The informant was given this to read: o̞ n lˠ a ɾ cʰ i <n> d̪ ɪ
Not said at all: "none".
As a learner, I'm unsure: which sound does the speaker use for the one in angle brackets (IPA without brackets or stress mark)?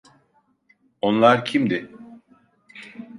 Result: m